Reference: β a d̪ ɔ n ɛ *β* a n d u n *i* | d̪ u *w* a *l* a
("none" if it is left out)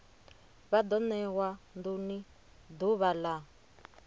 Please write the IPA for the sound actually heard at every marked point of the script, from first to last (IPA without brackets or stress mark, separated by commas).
w, i, β, l